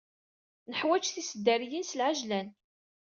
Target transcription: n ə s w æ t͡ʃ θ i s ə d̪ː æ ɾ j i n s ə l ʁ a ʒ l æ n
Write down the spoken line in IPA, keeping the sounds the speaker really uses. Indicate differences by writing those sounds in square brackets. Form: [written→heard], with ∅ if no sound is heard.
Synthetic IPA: n ə [s→ħ] w æ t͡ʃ θ i s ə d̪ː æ ɾ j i n s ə l [ʁ→ʕ] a ʒ l æ n